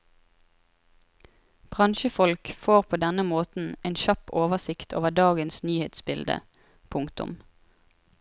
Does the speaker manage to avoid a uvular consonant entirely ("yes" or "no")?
no